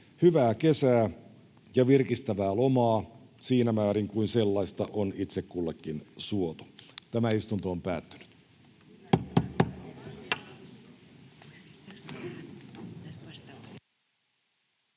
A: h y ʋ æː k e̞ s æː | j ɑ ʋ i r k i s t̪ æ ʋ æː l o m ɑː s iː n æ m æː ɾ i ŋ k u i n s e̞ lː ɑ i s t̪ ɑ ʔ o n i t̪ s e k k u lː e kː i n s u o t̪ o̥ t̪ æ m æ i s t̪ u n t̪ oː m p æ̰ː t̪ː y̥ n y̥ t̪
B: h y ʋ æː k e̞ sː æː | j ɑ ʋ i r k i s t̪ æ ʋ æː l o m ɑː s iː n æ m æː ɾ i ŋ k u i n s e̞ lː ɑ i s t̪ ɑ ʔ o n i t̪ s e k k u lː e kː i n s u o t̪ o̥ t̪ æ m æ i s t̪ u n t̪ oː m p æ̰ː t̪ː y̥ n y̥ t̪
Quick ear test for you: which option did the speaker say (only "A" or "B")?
A